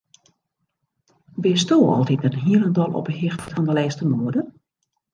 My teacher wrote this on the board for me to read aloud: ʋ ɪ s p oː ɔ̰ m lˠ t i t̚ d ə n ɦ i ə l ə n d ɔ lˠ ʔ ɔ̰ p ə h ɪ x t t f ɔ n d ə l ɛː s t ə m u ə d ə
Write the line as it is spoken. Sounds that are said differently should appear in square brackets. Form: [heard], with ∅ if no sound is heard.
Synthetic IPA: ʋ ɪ s [t] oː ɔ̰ [∅] lˠ t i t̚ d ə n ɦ i ə l ə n d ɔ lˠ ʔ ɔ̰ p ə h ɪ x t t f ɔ n d ə l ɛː s t ə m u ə d ə